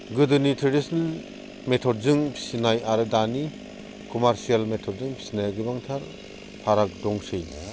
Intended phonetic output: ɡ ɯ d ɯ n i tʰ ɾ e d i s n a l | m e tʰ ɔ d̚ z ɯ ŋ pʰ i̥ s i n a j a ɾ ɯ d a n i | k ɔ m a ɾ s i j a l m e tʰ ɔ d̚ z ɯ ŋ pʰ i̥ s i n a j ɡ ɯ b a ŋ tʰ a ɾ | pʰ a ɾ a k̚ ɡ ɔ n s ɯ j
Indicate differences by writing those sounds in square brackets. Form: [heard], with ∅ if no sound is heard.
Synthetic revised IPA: ɡ ɯ d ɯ n i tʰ ɾ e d i s n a l | m e tʰ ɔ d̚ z ɯ ŋ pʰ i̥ s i n a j a ɾ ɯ d a n i | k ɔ m a ɾ s i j a l m e tʰ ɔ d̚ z ɯ ŋ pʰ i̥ s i n a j ɡ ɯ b a ŋ tʰ a ɾ | pʰ a ɾ a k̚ [d] ɔ [ŋ] s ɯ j